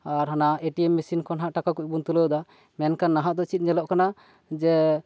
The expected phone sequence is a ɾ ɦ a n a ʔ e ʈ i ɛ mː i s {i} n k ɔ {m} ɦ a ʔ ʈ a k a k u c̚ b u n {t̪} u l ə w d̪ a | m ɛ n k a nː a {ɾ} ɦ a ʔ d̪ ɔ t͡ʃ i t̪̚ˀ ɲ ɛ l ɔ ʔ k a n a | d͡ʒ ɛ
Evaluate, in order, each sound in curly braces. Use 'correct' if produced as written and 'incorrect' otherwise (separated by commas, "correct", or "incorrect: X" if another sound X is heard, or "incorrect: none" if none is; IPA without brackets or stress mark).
correct, incorrect: n, correct, incorrect: none